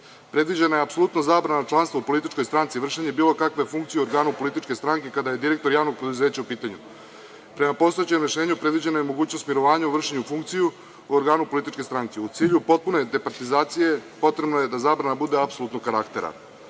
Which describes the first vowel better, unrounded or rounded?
unrounded